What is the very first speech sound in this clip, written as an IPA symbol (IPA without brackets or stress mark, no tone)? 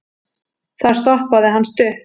θ